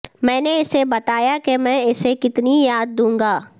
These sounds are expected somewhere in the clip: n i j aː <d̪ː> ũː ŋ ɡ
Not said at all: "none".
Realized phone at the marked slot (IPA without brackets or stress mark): d̪ː